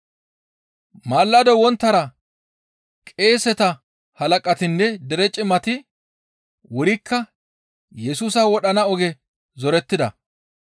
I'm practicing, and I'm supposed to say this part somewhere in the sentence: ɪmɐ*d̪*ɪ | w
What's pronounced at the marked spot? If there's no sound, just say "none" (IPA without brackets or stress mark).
t̪